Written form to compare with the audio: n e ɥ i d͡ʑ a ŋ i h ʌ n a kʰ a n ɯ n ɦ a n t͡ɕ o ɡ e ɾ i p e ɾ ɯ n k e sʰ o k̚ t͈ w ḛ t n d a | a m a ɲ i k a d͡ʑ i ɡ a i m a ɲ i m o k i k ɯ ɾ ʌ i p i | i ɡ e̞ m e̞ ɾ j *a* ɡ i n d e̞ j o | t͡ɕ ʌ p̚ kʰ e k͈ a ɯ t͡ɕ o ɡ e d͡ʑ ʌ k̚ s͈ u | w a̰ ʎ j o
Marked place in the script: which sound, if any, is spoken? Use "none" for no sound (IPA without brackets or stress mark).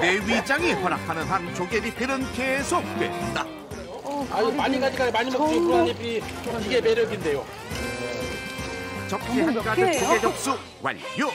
ʌ